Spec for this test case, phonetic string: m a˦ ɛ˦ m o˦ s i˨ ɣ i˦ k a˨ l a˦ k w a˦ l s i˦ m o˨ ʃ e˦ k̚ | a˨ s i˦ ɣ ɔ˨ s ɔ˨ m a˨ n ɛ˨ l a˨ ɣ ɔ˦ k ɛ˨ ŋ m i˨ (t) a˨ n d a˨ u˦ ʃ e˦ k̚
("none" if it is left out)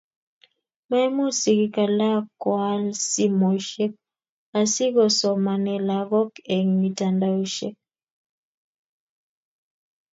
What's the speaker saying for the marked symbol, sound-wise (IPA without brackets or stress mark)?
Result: t